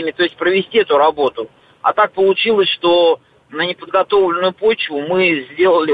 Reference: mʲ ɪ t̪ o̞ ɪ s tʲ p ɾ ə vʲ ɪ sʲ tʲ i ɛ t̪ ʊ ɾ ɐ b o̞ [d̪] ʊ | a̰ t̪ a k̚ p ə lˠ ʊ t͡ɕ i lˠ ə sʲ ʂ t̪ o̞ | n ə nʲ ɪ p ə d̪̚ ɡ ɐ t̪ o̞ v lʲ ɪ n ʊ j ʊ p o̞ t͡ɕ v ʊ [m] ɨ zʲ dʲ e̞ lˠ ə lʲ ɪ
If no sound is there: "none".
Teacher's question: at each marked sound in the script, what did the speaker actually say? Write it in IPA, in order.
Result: t̪, m

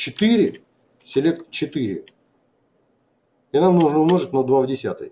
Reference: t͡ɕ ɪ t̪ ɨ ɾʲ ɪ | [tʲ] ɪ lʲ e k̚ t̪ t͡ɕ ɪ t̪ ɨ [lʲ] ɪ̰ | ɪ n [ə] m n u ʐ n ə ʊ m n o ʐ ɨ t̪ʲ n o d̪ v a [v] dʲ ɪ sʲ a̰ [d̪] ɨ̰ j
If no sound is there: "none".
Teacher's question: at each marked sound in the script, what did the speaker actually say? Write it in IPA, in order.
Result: sʲ, ɾʲ, a, v, t̪

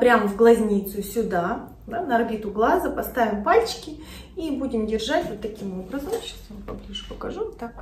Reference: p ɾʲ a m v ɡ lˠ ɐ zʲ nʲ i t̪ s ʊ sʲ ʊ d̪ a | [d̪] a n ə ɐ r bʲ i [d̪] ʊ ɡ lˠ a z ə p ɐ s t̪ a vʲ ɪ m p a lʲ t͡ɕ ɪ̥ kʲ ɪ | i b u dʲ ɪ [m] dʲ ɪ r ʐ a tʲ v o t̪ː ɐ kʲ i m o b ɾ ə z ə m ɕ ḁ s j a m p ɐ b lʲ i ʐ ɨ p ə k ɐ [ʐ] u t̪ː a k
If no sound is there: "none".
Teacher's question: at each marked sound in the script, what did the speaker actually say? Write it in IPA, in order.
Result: d̪, t̪, m, ʐ

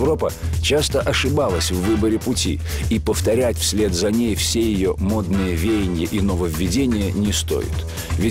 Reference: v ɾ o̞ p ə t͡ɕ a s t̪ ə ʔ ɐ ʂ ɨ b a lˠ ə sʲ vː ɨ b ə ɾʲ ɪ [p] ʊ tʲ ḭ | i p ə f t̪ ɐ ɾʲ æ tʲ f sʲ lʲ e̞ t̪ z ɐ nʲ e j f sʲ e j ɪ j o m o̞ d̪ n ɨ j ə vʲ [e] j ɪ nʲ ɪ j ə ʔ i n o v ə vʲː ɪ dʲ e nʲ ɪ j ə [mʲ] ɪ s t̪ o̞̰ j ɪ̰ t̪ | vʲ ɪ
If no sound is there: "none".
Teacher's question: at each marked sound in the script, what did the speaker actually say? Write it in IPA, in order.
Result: p, e, nʲ

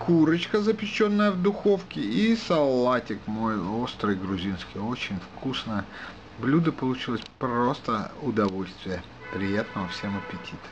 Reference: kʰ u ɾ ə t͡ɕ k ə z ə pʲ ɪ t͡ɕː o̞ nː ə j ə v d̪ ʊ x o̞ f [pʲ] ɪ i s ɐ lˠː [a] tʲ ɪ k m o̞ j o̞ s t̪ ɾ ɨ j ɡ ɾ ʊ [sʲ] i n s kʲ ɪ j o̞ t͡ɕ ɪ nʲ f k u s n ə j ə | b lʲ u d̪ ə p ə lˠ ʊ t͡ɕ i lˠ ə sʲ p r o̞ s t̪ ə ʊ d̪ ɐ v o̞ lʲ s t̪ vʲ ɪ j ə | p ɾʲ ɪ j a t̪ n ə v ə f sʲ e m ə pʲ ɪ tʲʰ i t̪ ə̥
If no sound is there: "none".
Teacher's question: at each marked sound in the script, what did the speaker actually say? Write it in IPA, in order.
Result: kʲ, a, zʲ

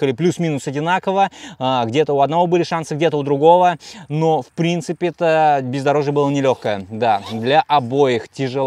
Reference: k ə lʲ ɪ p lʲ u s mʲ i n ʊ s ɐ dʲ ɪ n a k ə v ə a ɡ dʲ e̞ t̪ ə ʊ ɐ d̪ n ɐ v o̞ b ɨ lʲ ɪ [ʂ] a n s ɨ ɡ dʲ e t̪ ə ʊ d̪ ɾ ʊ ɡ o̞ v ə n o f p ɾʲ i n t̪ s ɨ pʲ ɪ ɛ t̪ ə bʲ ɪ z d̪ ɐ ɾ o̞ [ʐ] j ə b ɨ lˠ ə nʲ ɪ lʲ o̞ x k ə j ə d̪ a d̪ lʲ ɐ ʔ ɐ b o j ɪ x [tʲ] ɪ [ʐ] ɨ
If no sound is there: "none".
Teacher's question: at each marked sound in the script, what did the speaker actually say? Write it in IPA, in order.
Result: ʂ, ʐ, tʲ, ʐ

